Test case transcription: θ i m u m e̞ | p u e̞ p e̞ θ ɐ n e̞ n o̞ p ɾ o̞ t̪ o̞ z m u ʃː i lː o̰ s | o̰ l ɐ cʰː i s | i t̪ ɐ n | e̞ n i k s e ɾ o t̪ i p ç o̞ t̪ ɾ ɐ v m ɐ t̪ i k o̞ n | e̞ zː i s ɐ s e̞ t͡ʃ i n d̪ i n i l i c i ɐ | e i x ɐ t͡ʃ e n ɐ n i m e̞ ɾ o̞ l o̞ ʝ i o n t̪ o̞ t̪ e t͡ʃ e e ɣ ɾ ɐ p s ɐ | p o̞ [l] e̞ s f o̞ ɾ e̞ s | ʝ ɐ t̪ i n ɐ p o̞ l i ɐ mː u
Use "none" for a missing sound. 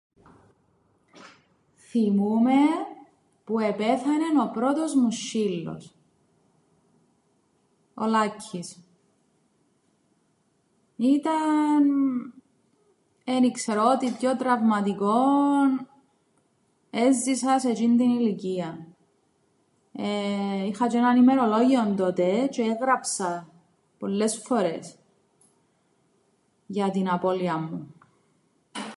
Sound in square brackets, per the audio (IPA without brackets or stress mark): lː